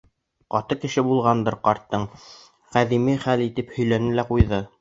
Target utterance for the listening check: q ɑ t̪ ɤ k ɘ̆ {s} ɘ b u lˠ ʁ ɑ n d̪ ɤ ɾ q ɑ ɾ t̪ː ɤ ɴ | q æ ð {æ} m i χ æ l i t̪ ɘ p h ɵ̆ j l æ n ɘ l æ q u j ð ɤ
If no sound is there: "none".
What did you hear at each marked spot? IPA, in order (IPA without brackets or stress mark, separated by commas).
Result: ʃ, i